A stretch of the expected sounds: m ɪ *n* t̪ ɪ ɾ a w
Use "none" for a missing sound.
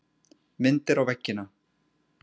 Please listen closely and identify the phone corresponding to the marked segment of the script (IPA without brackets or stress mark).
n